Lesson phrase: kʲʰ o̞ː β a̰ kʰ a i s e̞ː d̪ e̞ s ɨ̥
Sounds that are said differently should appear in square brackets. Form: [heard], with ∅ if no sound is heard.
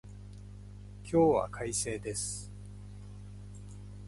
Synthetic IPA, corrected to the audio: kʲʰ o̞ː β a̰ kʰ a i s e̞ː d̪ e̞ s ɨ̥